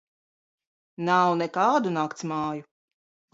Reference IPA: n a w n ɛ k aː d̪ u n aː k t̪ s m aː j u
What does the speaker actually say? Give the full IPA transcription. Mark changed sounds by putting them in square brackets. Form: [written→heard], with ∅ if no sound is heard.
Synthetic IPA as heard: n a w n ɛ k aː d̪ u n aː k t̪ s m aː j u